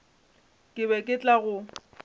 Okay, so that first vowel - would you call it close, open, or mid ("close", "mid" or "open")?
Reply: close